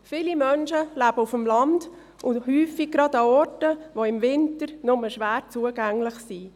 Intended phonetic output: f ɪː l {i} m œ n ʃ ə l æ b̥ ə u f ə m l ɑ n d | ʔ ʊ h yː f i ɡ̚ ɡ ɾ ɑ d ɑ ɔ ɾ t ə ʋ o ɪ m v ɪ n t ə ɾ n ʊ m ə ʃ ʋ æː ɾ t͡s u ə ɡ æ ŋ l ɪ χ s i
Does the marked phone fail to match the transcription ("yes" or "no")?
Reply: no